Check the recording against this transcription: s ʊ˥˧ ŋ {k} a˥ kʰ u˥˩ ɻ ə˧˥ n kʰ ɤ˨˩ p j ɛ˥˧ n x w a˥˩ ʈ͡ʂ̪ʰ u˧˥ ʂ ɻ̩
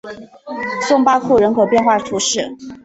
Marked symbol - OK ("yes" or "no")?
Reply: no